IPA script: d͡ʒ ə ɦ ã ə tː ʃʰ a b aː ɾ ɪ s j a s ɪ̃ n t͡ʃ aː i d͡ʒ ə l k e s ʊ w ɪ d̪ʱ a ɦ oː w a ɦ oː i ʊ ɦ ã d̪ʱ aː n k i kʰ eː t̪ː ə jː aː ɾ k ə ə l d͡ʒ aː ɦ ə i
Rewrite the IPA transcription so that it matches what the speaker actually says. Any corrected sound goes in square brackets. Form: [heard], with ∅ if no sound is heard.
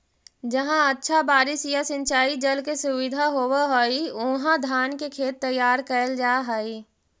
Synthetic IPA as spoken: d͡ʒ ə ɦ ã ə tː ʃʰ a b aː ɾ ɪ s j a s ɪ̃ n t͡ʃ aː i d͡ʒ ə l k e s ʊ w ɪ d̪ʱ a ɦ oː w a ɦ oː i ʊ ɦ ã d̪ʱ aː n k [e] kʰ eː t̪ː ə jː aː ɾ k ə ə l d͡ʒ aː ɦ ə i